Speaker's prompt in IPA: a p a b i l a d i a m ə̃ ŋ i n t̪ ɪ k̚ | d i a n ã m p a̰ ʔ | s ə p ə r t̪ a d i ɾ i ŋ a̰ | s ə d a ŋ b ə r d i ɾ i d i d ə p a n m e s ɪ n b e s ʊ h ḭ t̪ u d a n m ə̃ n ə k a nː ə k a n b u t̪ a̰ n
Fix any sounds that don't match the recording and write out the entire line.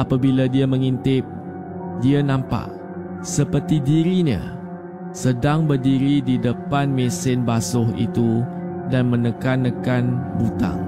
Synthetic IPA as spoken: a p a b i l a d i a m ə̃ ŋ i n t̪ ɪ p̚ | d i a n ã m p a̰ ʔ | s ə p ə r t̪ i d i ɾ i ɲ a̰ | s ə d a ŋ b ə r d i ɾ i d i d ə p a n m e s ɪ n b a s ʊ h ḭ t̪ u d a n m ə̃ n ə k a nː ə k a n b u t̪ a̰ ŋ